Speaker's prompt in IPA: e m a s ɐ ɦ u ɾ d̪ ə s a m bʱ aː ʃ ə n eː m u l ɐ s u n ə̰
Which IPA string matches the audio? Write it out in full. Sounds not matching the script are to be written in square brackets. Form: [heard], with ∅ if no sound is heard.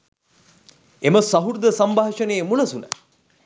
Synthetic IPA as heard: e m [ə] s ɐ ɦ u ɾ d̪ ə s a m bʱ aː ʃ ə n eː m u l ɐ s u n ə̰